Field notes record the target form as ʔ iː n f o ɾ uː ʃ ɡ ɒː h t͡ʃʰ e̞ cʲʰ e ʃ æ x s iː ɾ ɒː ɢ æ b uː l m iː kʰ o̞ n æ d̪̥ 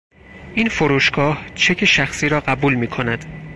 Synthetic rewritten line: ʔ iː n f o ɾ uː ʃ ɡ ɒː h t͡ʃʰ e̞ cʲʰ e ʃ æ x s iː ɾ ɒː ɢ æ b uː l m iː kʰ o̞ n æ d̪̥